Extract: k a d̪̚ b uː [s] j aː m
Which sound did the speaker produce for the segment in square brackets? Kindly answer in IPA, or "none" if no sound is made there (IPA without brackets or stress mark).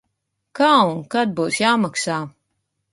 s